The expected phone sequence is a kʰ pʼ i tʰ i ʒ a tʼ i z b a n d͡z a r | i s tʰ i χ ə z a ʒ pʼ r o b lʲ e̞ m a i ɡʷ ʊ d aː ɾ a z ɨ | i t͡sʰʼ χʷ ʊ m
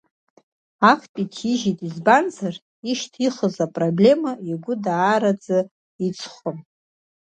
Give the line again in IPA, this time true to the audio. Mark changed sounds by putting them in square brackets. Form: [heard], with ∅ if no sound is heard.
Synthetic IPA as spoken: a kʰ pʼ i tʰ i ʒ [i] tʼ i z b a n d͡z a r | i [ʃ] tʰ i χ ə z a [∅] pʼ r o b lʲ e̞ m a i ɡʷ ʊ d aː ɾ a [d͡z] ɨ | i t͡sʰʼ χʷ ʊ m